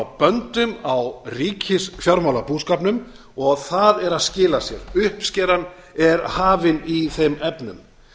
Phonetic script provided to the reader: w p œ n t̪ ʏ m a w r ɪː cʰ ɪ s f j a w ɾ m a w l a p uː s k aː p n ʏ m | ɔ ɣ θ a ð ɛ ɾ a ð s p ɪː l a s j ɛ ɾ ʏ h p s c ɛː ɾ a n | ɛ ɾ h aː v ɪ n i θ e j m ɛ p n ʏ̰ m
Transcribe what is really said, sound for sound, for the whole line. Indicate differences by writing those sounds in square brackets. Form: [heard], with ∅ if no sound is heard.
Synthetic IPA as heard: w p œ n t̪ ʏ m a w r [iː] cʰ ɪ s f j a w ɾ m a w l a p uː s k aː p n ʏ m | ɔ ɣ θ a ð ɛ ɾ a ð s [c] ɪː l a s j ɛ ɾ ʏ h p s c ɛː ɾ a n | ɛ ɾ h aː v ɪ n i θ e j m ɛ p n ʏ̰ m